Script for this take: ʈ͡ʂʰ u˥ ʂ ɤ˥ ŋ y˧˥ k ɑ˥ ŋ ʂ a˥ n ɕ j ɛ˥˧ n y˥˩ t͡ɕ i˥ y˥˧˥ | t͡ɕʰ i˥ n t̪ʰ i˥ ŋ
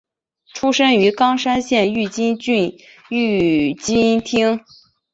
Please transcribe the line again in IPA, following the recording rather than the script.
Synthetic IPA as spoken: ʈ͡ʂʰ u˥ ʂ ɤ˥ ŋ y˧˥ k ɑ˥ ŋ ʂ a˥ n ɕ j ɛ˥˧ n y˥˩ t͡ɕ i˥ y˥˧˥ | t͡ɕ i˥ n t̪ʰ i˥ ŋ